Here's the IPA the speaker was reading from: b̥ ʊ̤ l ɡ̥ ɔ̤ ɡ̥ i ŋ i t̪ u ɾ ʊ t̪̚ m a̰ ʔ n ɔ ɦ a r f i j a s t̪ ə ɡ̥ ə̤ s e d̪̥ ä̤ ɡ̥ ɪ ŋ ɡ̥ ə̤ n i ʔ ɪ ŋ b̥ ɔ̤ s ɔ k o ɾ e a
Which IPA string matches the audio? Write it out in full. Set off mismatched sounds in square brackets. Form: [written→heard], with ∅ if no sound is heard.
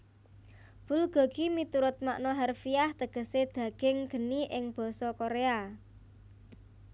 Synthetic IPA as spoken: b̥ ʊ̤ l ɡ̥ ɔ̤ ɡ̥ i [ŋ→m] i t̪ u ɾ ʊ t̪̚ m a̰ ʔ n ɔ ɦ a r f i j a [s→h] t̪ ə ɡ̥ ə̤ s e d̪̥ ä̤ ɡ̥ ɪ ŋ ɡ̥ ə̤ n i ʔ ɪ ŋ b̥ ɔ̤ s ɔ k o ɾ e a